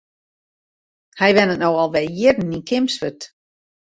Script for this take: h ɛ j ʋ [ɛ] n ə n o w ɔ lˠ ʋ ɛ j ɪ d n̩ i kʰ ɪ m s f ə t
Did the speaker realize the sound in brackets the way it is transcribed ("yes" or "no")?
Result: yes